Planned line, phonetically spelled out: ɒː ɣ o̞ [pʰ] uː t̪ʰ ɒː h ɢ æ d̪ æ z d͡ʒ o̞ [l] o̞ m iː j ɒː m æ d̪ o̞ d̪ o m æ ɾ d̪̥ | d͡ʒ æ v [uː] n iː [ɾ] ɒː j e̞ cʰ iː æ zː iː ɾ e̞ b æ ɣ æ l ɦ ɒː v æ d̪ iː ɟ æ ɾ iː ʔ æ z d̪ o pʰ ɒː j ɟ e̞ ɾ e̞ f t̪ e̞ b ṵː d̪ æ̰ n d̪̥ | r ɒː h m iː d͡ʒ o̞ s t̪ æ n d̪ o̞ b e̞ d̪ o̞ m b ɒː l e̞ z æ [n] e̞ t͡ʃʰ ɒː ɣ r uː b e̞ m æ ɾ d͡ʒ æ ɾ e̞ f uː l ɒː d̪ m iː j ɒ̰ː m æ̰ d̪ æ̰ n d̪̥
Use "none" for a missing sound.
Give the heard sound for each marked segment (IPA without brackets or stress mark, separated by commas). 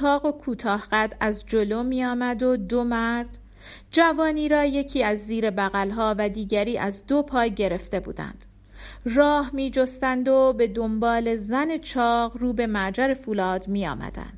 kʰ, l, ɒː, ɾ, n